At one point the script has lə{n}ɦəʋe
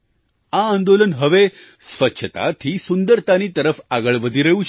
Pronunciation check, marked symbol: correct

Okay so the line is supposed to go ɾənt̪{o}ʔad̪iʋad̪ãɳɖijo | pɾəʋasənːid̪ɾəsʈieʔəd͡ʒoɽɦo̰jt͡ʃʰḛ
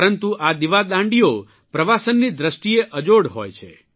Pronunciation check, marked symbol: incorrect: u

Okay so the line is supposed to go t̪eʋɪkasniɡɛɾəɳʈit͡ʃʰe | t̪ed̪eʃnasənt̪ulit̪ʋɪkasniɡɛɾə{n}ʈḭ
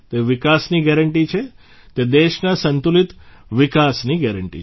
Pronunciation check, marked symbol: incorrect: ɳ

